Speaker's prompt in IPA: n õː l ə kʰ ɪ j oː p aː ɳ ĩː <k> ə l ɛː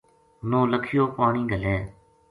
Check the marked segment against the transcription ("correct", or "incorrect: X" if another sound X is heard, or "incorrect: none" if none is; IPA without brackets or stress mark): incorrect: ɡ